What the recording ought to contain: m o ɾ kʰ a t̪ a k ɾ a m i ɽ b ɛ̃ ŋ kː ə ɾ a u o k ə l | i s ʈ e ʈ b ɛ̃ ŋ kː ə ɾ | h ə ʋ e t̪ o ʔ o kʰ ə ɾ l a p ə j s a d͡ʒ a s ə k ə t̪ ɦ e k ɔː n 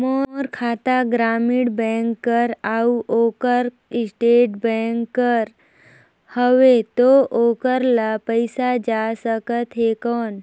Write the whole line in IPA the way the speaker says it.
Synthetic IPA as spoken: m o ɾ kʰ a t̪ a ɡ ɾ a m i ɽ b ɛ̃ ŋ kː ə ɾ a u o k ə ɾ | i s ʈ e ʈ b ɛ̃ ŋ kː ə ɾ | h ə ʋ e t̪ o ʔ o k ə ɾ l a p ə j s a d͡ʒ a s ə k ə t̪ ɦ e k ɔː n